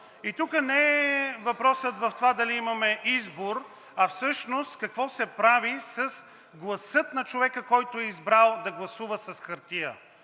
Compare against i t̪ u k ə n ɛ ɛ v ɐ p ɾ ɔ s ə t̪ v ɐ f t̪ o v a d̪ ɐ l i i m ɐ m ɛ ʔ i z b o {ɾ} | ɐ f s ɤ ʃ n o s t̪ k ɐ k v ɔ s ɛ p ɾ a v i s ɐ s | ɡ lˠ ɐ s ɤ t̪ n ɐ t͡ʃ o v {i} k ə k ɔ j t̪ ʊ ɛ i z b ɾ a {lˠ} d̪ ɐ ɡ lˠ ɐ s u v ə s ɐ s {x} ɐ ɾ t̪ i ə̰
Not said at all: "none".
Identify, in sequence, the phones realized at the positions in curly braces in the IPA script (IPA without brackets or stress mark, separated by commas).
ɾ, ɛ, lˠ, x